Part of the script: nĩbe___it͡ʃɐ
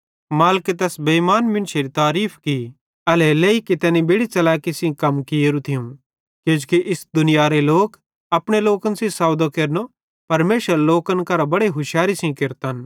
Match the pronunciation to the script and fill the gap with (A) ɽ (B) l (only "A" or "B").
A